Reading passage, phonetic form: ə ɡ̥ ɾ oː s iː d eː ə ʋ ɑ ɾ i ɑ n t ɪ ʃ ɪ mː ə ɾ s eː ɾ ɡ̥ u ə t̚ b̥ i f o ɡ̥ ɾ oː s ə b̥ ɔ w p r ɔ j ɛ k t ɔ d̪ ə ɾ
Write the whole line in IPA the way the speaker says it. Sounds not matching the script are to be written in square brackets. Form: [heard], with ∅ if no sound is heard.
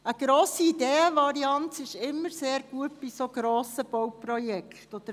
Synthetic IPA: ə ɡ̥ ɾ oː s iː d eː ə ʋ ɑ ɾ i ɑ n t ɪ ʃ ɪ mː ə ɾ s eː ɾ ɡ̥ u ə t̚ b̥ i [s] o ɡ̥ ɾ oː s ə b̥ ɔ w p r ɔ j ɛ k t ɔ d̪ ə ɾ